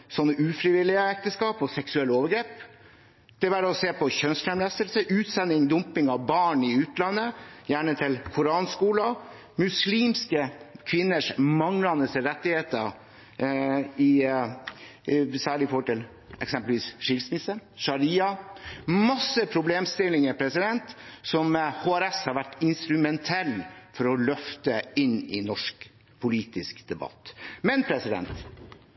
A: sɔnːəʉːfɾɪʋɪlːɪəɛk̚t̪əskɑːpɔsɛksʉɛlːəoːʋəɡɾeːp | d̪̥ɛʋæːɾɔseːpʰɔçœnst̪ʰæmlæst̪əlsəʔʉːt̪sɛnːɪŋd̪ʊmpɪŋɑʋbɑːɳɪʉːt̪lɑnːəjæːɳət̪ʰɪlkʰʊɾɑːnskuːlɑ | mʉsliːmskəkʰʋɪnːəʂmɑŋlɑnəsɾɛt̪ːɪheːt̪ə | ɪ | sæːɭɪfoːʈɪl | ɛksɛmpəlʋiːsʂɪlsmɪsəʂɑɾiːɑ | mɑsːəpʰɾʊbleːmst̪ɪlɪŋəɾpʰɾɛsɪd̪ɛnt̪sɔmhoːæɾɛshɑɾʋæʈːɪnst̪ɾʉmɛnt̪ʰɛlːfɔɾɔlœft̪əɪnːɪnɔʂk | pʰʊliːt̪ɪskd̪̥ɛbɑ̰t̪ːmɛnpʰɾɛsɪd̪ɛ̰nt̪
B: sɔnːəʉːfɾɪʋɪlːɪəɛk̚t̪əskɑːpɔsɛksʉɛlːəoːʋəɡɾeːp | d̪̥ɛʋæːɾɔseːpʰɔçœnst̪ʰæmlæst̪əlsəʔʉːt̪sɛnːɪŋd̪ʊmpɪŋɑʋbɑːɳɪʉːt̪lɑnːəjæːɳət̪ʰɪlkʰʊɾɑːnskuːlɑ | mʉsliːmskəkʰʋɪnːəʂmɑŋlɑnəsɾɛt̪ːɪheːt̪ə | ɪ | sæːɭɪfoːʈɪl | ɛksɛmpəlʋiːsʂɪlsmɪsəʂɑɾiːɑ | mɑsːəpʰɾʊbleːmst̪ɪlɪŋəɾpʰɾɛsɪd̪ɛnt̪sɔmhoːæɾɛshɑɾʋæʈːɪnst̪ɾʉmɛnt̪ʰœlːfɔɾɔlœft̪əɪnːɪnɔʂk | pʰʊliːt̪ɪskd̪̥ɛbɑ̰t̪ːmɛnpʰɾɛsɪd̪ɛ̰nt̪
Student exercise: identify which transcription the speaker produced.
A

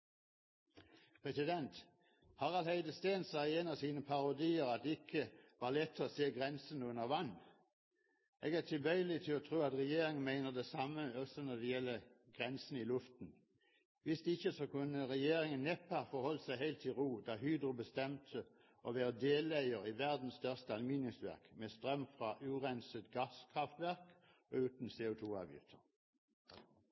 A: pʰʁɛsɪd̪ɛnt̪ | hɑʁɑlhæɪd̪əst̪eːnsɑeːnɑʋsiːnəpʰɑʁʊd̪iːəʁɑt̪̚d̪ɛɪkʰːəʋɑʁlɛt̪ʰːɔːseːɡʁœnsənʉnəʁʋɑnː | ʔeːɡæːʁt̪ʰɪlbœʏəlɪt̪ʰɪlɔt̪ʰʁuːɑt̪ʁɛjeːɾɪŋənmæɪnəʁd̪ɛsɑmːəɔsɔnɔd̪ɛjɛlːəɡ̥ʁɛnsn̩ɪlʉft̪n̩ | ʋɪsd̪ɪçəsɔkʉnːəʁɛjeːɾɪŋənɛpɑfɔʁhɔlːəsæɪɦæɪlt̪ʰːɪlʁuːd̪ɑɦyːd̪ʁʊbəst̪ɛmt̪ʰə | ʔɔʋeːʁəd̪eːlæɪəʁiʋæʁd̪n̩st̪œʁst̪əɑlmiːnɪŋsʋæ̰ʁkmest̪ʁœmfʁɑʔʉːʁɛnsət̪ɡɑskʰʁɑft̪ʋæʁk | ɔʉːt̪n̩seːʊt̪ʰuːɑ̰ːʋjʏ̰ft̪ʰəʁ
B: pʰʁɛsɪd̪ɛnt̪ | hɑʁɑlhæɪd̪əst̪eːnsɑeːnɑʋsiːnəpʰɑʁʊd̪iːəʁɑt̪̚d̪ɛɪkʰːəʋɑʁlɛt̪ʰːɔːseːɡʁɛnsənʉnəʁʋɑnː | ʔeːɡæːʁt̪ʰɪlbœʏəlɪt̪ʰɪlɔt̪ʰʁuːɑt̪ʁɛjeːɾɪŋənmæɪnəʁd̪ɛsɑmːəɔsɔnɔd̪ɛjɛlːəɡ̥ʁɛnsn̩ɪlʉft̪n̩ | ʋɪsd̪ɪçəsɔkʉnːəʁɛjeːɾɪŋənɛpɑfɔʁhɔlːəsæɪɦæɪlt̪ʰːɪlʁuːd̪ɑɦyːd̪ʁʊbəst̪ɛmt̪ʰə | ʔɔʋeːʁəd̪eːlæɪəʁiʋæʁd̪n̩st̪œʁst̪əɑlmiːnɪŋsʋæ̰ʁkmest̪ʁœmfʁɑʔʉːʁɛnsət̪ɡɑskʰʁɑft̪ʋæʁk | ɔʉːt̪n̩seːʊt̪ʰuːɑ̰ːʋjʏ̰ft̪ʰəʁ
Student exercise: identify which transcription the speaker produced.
B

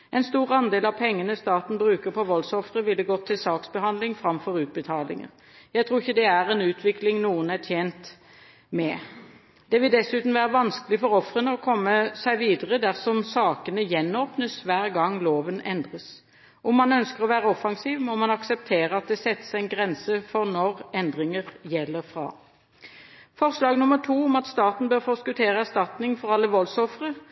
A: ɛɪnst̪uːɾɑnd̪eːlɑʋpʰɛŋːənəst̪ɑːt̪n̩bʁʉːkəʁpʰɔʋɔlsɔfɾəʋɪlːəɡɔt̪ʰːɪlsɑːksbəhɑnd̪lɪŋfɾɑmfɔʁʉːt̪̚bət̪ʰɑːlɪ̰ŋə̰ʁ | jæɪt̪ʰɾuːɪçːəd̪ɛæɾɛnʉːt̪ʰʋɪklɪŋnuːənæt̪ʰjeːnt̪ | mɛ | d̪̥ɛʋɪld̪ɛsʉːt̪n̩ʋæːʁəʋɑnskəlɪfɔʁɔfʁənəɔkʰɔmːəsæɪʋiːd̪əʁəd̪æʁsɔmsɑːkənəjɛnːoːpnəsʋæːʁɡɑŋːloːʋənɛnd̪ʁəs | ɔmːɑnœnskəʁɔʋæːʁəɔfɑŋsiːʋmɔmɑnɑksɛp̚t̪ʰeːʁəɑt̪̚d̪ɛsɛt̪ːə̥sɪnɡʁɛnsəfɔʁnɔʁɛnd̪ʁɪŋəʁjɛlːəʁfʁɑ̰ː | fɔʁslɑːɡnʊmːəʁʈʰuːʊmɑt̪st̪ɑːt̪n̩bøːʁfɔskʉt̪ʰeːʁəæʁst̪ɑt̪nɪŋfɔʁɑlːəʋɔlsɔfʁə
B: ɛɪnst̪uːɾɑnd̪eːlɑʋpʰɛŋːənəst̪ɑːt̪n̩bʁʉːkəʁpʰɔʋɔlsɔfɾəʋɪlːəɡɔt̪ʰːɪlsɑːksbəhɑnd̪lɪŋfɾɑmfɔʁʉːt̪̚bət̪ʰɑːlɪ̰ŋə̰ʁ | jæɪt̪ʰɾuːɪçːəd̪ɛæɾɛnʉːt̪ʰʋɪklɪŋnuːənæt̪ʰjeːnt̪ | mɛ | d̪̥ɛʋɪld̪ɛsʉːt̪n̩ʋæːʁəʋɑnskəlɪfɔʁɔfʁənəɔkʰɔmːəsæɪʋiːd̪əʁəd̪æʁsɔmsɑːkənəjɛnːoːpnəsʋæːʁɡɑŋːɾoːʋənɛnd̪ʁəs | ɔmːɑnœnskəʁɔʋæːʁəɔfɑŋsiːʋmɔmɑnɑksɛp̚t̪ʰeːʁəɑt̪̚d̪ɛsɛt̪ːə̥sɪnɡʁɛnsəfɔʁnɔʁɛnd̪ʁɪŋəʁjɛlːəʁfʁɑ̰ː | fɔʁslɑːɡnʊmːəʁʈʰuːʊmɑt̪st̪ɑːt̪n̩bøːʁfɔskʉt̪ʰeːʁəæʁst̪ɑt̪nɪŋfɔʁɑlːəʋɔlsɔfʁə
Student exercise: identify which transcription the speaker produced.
A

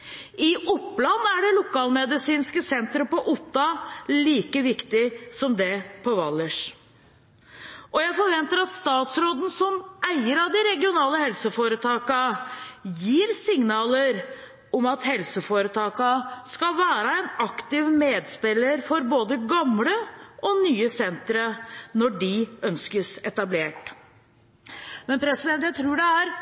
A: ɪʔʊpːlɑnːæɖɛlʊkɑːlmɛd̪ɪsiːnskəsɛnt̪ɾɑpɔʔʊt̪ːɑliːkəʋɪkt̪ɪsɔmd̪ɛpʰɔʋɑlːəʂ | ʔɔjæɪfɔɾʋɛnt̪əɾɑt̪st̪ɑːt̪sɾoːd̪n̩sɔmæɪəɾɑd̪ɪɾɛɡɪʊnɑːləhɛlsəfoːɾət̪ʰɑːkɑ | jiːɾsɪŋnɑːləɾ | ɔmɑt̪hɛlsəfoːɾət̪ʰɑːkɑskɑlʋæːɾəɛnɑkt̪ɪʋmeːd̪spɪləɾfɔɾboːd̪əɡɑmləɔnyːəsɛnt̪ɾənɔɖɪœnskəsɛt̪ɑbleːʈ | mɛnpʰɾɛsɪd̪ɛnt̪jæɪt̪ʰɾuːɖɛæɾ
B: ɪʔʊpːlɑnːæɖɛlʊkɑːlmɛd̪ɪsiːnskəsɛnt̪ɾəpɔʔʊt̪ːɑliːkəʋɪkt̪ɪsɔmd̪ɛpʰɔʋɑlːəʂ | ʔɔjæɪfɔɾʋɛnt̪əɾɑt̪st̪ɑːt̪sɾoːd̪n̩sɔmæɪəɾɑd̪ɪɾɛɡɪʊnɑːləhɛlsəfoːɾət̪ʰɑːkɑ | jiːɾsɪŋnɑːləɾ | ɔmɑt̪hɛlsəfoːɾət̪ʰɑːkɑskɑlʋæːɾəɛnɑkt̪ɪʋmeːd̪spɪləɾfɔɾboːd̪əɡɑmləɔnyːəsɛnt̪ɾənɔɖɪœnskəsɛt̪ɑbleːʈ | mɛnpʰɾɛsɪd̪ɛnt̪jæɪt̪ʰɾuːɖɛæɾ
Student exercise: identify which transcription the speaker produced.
B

